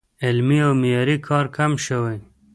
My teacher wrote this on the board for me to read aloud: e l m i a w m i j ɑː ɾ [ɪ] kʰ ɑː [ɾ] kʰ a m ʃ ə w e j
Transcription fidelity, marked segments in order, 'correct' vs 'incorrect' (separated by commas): incorrect, correct